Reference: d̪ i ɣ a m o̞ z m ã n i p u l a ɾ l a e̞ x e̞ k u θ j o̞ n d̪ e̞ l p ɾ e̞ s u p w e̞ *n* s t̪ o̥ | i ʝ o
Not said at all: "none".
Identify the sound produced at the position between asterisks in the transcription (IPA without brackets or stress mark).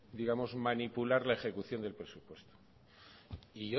none